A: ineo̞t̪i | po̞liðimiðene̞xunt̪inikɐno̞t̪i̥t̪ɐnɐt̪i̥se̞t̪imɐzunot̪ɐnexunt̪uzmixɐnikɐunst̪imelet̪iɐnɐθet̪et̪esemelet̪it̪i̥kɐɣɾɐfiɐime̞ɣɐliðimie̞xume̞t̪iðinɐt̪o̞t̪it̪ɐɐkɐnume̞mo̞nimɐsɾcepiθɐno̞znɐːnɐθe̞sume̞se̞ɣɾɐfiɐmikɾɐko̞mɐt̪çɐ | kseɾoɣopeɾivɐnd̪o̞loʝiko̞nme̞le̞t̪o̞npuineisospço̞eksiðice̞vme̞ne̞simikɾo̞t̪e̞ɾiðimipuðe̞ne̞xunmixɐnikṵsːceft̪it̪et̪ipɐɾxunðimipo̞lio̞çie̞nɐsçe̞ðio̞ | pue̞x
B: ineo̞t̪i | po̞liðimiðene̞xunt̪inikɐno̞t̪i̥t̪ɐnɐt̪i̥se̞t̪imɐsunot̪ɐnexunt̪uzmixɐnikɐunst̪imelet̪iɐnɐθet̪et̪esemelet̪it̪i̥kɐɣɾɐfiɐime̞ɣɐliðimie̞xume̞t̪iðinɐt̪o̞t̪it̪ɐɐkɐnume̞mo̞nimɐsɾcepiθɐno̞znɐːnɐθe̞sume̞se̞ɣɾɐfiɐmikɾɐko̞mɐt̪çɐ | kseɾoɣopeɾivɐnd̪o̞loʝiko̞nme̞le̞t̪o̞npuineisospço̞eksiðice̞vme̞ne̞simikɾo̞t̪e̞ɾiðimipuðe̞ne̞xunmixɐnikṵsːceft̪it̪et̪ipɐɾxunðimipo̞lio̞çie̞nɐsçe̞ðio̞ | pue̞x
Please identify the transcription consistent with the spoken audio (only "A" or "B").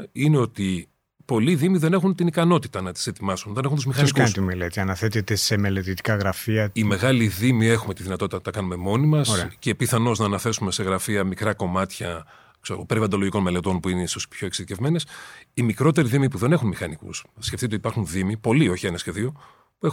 B